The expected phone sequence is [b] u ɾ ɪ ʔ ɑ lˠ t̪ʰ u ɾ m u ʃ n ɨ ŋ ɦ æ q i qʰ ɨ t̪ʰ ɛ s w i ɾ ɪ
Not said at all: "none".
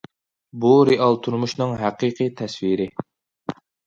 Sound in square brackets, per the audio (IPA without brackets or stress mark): b